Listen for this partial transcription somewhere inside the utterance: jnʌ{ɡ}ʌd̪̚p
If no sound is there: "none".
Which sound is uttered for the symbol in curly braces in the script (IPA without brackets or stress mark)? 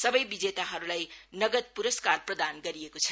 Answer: ɡ